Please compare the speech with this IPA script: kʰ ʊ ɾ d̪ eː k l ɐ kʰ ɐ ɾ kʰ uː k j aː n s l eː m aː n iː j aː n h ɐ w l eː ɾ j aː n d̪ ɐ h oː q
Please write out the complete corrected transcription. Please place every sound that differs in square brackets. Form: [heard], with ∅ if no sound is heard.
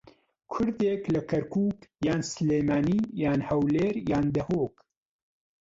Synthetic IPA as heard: kʰ ʊ ɾ d̪ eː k l ɐ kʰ ɐ ɾ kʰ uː k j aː n s l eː m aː n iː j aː n h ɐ w l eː ɾ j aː n d̪ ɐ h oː [k]